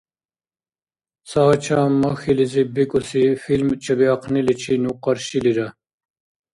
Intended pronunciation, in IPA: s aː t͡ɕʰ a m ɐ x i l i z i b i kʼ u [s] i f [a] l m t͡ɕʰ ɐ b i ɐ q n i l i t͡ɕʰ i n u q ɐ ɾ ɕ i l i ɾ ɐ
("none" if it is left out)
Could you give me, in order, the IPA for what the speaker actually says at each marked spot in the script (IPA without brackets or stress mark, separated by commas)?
s, i